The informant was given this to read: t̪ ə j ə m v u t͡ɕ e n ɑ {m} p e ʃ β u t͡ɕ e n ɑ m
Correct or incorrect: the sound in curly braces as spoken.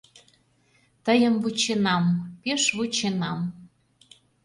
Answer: correct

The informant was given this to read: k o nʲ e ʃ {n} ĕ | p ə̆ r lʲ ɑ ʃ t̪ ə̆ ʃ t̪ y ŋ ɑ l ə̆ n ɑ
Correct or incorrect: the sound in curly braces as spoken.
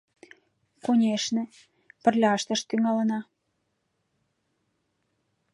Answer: correct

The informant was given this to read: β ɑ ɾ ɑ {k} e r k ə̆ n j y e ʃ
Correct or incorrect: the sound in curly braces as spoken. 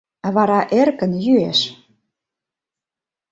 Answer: incorrect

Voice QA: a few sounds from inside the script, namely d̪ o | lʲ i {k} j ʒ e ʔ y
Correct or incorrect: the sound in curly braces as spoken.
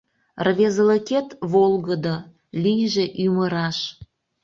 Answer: incorrect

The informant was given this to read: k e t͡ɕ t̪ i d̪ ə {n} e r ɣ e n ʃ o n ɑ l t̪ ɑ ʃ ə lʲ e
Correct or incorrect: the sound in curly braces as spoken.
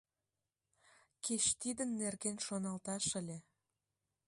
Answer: incorrect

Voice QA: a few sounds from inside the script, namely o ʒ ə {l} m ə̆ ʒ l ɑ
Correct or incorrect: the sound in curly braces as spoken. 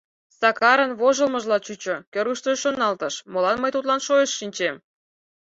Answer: correct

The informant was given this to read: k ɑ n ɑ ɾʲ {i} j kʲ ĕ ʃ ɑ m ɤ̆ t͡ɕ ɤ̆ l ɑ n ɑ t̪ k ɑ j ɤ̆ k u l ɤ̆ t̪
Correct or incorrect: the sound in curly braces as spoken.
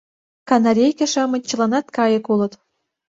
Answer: incorrect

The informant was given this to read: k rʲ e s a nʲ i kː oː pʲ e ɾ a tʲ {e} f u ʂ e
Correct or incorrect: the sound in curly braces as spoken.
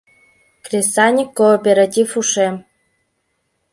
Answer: incorrect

